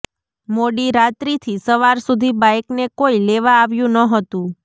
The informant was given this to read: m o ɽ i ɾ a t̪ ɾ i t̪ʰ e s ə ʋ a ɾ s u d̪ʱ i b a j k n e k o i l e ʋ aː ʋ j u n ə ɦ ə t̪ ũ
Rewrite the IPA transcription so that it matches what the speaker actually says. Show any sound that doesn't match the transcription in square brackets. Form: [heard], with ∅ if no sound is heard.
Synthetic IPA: m o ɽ i ɾ a t̪ ɾ i t̪ʰ [i] s ə ʋ a ɾ s u d̪ʱ i b a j k n e k o i l e ʋ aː ʋ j [ũ] n ə ɦ ə t̪ ũ